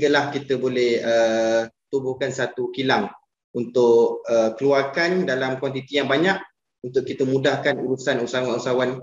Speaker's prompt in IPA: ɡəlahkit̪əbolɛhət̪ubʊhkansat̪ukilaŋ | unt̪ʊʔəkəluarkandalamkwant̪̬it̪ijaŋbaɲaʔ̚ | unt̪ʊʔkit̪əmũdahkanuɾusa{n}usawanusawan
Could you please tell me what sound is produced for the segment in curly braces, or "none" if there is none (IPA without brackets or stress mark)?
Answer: n